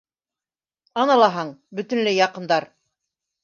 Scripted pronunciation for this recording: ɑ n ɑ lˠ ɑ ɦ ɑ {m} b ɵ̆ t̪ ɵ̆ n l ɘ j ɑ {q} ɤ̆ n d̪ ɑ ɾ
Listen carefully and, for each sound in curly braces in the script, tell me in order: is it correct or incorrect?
incorrect: ɴ, correct

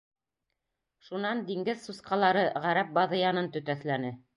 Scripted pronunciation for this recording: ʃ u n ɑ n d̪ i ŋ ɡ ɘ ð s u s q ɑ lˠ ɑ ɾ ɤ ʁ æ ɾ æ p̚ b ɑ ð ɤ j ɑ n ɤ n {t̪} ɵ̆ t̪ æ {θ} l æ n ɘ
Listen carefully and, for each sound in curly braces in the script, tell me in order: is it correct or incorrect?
correct, correct

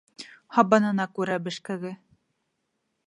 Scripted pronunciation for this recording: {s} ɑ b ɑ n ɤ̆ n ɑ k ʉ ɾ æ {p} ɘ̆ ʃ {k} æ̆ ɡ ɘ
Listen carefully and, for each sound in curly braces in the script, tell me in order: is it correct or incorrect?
incorrect: h, incorrect: b, correct

